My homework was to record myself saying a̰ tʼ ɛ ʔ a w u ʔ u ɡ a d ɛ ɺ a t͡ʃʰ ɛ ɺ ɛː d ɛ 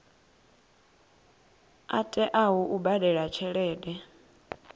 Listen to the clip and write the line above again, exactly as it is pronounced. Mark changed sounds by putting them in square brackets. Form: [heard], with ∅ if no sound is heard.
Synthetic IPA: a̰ tʼ ɛ ʔ a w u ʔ u [b] a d ɛ ɺ a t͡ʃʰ ɛ ɺ ɛː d ɛ